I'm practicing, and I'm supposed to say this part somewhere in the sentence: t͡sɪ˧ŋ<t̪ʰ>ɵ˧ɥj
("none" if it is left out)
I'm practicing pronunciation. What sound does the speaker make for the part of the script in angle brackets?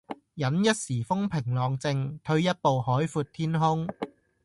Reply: t̪ʰ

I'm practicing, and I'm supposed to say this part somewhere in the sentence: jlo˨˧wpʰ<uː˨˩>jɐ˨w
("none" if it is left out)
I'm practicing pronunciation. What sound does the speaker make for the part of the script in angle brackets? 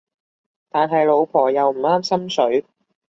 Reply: ɔː˨˩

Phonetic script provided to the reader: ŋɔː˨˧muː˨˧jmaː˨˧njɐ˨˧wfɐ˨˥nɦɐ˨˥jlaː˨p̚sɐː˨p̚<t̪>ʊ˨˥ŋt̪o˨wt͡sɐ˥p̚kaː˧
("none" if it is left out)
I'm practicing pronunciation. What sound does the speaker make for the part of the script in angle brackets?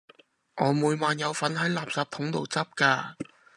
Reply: t̪ʰ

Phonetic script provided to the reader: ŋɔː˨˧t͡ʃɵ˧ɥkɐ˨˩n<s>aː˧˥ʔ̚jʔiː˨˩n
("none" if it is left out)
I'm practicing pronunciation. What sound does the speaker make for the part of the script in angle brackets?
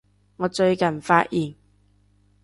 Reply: f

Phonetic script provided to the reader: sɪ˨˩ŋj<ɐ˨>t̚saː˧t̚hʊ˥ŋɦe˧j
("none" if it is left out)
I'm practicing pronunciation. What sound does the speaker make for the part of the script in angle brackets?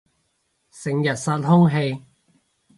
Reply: ɐ˨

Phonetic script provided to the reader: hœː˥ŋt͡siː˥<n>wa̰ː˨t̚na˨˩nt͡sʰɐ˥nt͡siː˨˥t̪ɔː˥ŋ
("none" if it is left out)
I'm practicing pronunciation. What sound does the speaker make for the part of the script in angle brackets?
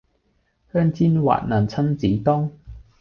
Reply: n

